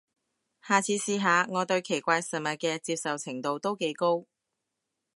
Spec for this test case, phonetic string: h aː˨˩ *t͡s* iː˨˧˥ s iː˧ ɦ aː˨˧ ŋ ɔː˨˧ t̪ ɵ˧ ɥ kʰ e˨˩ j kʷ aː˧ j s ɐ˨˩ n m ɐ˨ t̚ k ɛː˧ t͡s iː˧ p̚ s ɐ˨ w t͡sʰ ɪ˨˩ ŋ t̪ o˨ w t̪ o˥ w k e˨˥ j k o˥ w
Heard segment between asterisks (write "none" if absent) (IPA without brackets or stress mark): t͡sʰ